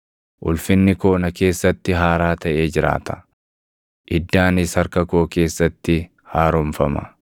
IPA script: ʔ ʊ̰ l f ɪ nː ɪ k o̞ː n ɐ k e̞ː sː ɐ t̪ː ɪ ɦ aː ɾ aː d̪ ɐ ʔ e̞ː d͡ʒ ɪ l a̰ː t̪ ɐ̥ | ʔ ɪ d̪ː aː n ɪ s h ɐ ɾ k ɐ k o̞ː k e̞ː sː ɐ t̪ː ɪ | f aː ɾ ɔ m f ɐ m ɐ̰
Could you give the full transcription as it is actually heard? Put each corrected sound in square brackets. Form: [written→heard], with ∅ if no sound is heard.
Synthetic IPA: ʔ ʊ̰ l f ɪ nː ɪ k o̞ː n ɐ k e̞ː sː ɐ t̪ː ɪ ɦ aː ɾ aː [d̪→t̪] ɐ ʔ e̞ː d͡ʒ ɪ [l→ɾ] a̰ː t̪ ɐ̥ | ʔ ɪ d̪ː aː n ɪ s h ɐ ɾ k ɐ k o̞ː k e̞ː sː ɐ t̪ː ɪ | [f→h] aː ɾ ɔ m f ɐ m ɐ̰